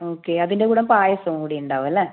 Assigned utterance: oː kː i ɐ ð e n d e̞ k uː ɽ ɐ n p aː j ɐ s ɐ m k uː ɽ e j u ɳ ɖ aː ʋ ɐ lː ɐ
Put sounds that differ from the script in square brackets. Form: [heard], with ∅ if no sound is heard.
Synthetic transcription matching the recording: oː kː [e] ɐ ð [i] n d e̞ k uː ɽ ɐ [m] p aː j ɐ s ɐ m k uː ɽ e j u ɳ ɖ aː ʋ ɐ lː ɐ